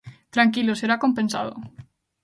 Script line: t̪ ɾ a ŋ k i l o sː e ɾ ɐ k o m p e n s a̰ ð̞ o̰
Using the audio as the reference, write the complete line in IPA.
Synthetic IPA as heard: t̪ ɾ a ŋ k i l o s e ɾ a k o m p e n s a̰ ð̞ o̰